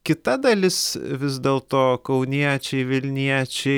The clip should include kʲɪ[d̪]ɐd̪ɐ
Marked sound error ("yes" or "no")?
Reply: yes